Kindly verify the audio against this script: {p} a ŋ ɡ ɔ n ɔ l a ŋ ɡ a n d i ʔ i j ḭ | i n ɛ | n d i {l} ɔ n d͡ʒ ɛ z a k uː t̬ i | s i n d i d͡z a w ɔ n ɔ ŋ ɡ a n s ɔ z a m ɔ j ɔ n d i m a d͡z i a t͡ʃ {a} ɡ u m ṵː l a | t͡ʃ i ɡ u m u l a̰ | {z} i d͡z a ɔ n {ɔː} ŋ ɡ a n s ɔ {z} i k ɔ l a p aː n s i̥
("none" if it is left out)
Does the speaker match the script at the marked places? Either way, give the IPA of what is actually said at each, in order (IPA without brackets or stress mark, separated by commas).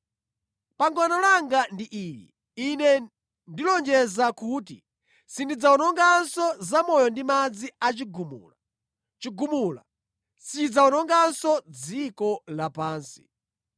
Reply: p, l, i, s, ɔ, d͡z